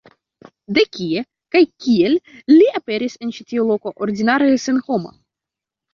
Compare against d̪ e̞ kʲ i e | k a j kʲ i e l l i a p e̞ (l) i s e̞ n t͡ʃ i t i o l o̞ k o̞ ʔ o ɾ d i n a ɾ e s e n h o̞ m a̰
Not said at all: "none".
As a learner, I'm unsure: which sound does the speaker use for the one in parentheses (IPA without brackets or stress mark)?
ɾ